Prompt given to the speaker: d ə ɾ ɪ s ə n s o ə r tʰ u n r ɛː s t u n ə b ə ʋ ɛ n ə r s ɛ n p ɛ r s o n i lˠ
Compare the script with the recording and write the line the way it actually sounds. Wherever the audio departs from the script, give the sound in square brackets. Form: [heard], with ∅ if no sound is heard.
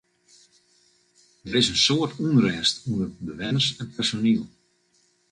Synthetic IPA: d ə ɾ ɪ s ə n s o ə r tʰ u n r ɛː s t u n ə b ə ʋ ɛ n ə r s ɛ n p ɛ r s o n i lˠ